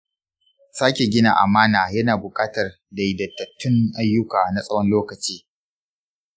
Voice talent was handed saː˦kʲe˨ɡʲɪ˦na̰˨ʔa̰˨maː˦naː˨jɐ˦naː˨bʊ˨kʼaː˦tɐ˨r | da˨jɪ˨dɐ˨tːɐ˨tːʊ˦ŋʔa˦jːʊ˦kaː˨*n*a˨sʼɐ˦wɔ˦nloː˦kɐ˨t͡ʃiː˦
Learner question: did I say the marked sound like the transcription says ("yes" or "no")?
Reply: yes